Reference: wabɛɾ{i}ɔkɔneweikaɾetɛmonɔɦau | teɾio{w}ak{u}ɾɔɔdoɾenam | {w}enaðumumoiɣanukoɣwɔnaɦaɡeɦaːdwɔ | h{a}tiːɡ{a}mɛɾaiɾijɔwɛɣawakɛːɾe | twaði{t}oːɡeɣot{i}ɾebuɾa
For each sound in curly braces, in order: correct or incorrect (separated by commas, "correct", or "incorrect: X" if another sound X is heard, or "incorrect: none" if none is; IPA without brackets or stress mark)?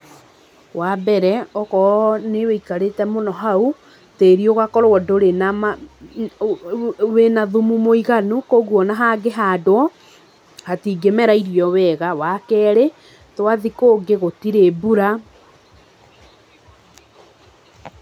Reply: incorrect: ɛ, incorrect: ɣ, incorrect: ɔ, correct, correct, incorrect: e, incorrect: k, correct